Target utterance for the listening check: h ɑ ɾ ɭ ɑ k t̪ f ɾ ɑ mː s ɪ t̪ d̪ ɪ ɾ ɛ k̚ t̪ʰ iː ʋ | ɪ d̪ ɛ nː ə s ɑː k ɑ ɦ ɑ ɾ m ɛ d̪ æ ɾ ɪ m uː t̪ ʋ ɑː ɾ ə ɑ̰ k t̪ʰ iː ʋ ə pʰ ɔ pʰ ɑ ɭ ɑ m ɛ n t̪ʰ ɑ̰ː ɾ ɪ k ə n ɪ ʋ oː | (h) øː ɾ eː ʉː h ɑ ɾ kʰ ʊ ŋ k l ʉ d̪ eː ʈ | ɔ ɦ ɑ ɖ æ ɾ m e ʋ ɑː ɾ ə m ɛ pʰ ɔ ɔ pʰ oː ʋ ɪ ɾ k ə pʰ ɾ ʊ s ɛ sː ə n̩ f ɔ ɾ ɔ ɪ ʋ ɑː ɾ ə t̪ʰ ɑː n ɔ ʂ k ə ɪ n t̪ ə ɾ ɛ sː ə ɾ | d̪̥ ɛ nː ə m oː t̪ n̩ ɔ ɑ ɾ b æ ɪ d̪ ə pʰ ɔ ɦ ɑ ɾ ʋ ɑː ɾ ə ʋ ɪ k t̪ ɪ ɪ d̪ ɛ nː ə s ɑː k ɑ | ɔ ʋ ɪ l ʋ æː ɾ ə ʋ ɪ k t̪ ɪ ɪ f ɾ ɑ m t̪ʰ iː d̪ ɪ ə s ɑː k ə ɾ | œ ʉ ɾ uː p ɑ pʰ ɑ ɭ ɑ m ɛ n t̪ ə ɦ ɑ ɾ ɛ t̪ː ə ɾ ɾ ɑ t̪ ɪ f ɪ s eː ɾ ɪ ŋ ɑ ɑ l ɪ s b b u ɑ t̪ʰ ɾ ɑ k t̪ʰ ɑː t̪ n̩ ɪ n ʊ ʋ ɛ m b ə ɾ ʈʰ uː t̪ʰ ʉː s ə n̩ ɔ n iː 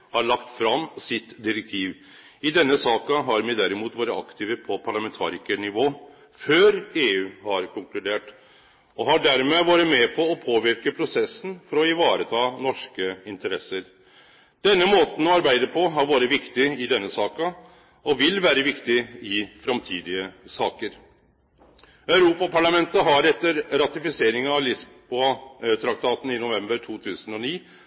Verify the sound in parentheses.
incorrect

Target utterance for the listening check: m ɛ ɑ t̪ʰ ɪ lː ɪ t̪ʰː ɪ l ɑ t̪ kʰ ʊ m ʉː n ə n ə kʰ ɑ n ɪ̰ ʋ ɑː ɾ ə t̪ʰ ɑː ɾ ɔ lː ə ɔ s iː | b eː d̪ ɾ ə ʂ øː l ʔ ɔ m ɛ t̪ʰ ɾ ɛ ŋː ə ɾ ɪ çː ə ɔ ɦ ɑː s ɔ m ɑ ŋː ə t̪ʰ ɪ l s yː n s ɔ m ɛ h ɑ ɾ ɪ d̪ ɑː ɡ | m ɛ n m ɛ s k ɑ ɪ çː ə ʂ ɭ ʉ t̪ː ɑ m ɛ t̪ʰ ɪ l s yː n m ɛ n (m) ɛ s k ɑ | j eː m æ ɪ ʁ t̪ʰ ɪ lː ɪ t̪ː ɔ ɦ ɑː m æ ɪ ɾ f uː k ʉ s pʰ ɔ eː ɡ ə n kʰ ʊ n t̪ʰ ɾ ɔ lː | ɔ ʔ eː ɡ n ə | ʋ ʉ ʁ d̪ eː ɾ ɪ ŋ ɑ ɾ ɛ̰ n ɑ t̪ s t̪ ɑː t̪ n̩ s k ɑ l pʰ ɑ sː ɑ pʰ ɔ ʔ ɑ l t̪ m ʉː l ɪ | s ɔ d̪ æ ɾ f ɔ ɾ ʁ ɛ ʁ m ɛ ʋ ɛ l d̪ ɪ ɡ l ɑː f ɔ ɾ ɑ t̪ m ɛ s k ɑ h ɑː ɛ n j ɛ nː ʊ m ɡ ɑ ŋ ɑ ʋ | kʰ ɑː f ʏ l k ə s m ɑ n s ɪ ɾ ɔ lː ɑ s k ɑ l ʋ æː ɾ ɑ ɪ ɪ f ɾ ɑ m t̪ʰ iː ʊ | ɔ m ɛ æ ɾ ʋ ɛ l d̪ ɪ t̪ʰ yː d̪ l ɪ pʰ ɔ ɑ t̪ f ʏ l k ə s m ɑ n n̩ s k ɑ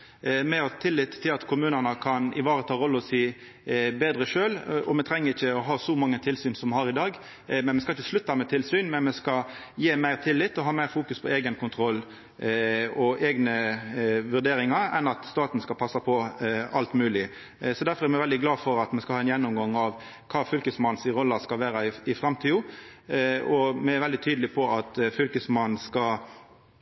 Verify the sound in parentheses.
correct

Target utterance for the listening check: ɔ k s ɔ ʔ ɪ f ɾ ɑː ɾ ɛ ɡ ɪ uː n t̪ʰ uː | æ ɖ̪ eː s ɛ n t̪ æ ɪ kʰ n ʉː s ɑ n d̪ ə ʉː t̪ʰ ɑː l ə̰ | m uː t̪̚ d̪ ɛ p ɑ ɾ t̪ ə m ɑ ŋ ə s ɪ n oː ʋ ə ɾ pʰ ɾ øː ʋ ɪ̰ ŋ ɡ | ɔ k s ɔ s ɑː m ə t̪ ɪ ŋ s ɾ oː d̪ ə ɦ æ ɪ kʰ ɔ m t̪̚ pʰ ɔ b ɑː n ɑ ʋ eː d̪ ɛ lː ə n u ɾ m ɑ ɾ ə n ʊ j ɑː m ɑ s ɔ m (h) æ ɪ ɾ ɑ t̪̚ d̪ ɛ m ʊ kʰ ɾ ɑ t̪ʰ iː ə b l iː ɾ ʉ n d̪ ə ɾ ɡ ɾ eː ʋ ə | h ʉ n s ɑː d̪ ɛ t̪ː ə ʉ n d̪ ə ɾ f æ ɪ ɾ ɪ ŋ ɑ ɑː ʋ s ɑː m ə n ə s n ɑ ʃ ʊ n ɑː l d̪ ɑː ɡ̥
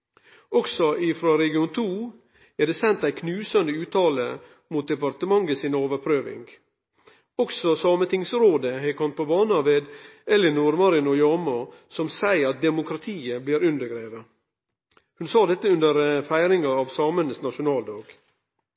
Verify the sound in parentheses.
incorrect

